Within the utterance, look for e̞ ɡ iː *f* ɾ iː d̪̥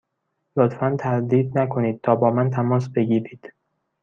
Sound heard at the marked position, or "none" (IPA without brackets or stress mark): none